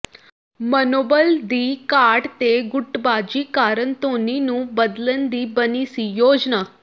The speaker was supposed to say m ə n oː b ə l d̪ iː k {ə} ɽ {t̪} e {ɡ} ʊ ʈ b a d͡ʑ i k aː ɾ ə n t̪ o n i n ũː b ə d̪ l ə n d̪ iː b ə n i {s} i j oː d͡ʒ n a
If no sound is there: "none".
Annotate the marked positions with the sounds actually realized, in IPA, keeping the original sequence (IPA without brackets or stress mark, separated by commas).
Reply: a, t̪, ɡ, s